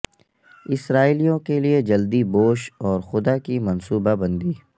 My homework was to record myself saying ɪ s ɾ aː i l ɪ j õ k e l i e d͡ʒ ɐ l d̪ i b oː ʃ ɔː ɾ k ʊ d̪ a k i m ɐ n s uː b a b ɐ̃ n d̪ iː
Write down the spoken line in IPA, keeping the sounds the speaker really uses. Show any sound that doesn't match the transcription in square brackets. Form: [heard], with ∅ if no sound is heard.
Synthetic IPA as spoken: ɪ s ɾ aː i l [i] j õ k e l i e d͡ʒ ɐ l d̪ i b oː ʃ ɔː ɾ [x] ʊ d̪ a k i m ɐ n s uː b a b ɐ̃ n d̪ iː